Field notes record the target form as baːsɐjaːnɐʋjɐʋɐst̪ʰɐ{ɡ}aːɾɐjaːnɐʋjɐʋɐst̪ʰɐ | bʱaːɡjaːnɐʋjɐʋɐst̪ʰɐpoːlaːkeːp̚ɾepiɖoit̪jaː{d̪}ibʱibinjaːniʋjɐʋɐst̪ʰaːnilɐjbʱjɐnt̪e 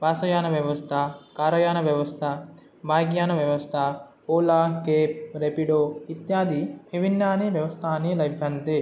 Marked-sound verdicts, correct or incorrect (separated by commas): incorrect, correct